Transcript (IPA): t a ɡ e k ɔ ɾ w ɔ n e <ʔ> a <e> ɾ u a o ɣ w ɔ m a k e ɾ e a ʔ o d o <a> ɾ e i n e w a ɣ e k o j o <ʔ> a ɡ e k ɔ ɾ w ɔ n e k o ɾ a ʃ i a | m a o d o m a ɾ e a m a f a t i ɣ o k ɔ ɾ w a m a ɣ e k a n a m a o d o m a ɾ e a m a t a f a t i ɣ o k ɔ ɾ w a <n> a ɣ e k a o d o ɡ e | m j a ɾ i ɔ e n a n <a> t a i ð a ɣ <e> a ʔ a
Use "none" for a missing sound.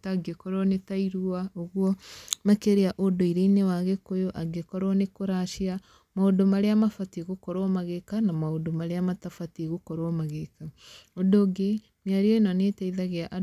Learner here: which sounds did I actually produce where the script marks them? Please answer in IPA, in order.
t, i, i, ʔ, m, e, e

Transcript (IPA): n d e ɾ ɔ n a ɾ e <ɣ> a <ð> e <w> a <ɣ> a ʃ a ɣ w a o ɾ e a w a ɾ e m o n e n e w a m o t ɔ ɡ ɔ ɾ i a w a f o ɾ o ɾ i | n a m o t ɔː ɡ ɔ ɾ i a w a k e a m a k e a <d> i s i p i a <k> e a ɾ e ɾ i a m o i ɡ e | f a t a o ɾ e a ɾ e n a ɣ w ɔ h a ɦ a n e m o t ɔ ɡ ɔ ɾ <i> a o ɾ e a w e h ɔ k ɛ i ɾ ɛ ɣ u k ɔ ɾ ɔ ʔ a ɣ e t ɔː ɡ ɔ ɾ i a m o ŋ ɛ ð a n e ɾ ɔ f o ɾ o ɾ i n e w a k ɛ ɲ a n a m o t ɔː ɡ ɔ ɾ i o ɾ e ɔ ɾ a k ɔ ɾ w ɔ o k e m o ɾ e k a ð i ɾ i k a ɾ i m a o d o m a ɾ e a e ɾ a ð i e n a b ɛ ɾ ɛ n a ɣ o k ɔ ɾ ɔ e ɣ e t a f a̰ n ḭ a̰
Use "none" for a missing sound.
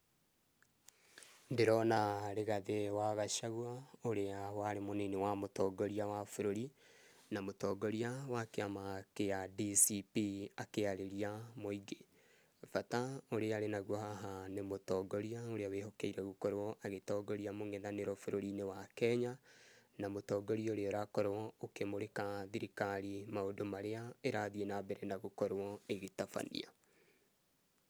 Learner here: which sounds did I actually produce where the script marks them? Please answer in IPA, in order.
ɣ, ð, w, ɣ, d, k, i

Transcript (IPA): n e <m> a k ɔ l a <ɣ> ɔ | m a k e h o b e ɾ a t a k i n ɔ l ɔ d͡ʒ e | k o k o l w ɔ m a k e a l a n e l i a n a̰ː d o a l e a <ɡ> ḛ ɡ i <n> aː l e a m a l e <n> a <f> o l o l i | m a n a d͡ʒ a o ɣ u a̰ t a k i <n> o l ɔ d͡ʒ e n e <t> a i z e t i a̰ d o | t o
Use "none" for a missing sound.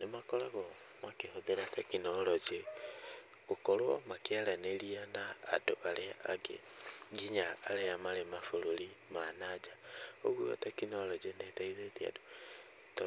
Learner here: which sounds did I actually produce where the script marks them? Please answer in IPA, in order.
m, ɣ, ɡ, ɲ, m, f, n, t

